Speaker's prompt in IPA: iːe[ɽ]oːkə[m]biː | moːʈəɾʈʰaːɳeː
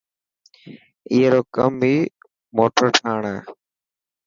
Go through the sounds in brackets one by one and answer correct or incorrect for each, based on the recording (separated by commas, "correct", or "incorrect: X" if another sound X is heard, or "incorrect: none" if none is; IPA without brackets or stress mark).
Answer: incorrect: ɾ, correct